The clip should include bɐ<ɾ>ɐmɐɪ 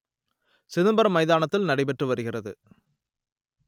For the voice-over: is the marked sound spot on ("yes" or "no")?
yes